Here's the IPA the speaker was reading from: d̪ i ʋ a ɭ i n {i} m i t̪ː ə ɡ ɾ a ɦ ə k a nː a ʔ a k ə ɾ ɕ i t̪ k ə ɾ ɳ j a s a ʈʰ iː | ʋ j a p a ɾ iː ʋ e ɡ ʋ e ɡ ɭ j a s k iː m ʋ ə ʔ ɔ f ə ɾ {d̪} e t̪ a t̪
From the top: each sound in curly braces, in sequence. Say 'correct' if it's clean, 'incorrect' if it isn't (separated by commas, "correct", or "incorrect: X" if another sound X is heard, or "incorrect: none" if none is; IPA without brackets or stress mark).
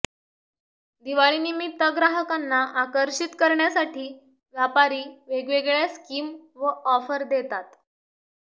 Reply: correct, correct